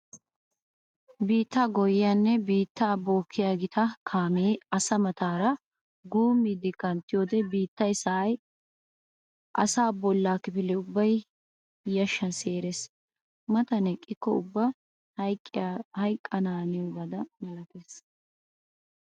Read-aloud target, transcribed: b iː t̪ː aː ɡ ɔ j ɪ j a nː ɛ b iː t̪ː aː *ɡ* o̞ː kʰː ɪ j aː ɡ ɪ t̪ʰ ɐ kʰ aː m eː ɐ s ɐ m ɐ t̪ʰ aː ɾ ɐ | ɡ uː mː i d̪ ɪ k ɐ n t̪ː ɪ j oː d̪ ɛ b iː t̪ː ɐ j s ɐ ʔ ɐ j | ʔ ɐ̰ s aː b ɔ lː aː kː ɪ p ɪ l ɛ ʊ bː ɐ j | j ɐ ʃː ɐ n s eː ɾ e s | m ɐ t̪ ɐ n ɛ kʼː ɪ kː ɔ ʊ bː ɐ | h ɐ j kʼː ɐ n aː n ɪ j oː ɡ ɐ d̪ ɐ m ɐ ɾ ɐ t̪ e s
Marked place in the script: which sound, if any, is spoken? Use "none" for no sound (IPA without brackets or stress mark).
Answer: b